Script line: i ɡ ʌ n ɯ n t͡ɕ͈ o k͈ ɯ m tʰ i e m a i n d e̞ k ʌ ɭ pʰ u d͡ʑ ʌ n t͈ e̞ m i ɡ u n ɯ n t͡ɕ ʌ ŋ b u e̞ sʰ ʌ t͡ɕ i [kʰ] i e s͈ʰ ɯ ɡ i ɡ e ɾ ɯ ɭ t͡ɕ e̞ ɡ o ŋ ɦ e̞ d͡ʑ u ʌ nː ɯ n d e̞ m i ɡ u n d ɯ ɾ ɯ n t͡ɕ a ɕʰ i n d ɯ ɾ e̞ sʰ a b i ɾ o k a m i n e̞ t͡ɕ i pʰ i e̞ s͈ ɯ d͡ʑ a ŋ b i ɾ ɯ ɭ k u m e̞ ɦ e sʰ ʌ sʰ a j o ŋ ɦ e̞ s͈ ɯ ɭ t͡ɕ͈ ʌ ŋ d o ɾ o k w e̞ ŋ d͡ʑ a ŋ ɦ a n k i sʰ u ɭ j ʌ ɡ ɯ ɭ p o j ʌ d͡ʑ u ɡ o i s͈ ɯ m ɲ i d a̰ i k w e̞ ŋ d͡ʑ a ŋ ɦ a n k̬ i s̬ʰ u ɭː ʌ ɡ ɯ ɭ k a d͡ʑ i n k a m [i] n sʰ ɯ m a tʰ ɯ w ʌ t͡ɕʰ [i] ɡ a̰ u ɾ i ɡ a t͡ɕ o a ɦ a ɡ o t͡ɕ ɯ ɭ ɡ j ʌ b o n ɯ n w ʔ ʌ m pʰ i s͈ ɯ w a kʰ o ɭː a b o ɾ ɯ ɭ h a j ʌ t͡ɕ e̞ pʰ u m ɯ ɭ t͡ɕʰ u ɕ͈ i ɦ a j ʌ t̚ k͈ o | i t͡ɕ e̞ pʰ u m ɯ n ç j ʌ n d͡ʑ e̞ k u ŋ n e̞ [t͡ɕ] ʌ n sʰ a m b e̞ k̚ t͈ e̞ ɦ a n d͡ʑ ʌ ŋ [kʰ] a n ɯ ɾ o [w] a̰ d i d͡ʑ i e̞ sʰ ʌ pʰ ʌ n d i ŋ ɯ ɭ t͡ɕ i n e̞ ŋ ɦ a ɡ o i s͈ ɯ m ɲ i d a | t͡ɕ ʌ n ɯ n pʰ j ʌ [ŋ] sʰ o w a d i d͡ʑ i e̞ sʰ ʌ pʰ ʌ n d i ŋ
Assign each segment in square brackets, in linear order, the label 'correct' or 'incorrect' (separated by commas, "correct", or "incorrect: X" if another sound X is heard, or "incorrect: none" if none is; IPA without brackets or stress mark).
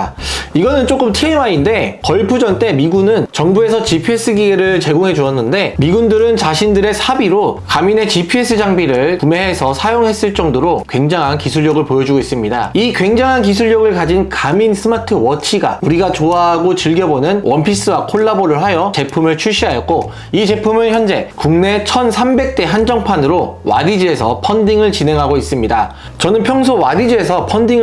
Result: incorrect: pʰ, correct, correct, incorrect: t͡ɕʰ, incorrect: pʰ, correct, correct